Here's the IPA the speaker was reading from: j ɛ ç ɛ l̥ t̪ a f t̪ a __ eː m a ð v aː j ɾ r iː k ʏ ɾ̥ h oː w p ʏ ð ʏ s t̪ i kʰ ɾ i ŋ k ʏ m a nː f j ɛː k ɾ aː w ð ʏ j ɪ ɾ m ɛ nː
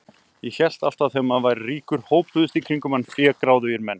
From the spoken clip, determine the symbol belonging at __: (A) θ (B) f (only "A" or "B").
A